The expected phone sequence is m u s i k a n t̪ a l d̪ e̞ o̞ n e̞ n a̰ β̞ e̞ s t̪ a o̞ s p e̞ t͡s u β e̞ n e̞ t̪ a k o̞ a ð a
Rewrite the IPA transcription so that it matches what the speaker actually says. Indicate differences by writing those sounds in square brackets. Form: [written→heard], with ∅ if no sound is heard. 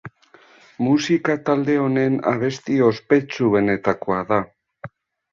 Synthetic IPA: m u s i k a [n→∅] t̪ a l d̪ e̞ o̞ n e̞ n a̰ β̞ e̞ s t̪ [a→i] o̞ s p e̞ t͡s u β e̞ n e̞ t̪ a k o̞ a ð a